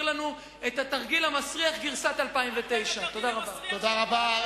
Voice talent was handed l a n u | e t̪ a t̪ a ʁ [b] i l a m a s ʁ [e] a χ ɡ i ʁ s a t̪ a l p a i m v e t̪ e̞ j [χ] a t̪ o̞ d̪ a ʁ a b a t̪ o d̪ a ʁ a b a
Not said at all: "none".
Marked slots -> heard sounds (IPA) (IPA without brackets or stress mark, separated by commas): ɡ, i, ʃ